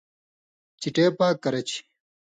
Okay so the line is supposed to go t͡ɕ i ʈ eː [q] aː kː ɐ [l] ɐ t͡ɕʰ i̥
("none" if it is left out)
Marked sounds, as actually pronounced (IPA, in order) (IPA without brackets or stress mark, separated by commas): p, ɾ